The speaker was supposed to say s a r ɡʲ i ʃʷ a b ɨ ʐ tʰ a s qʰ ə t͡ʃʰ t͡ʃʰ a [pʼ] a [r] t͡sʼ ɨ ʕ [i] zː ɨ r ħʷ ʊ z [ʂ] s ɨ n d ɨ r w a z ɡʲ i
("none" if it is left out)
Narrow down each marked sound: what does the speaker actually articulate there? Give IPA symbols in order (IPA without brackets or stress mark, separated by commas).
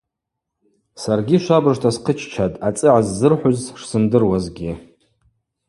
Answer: tʼ, none, a, ʂ